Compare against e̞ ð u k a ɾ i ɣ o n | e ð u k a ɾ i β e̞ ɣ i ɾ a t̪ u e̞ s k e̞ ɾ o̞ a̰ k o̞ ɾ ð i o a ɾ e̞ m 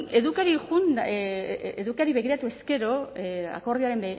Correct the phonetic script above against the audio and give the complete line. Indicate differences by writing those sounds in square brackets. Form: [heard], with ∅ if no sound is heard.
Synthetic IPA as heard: e̞ ð u k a ɾ i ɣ [u] n | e ð u k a ɾ i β e̞ ɣ i ɾ a t̪ u e̞ s k e̞ ɾ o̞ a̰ k o̞ ɾ ð i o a ɾ e̞ m